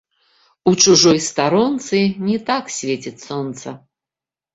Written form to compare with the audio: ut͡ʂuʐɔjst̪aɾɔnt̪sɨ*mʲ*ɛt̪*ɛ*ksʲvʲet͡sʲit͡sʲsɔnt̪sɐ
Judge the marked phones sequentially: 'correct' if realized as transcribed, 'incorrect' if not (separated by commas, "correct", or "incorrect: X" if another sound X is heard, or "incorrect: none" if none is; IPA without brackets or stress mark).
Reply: incorrect: nʲ, incorrect: a